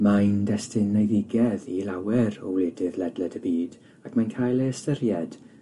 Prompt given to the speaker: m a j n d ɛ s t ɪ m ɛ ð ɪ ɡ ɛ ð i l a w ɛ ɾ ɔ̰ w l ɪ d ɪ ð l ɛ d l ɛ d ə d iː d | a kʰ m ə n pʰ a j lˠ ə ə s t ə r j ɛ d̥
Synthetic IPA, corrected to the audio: m a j n d ɛ s t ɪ n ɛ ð ɪ ɡ ɛ ð i l a w ɛ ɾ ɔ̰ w l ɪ d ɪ ð l ɛ d l ɛ d ə b iː d | a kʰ m a n kʰ a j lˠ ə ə s t ə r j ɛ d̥